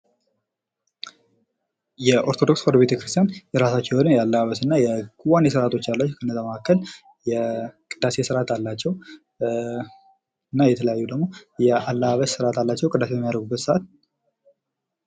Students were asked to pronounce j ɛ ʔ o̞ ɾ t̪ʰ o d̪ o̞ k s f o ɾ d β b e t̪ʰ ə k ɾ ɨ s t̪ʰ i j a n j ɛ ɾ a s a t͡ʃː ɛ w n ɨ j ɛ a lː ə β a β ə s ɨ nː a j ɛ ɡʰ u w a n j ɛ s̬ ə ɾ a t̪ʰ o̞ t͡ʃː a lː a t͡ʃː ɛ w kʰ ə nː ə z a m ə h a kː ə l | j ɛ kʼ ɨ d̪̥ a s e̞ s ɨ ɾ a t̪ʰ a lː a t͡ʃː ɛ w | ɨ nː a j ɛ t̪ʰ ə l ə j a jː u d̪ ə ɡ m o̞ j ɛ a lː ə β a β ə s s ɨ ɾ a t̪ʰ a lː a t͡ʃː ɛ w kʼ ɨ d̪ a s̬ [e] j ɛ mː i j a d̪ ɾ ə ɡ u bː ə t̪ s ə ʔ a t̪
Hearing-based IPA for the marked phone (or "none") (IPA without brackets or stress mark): e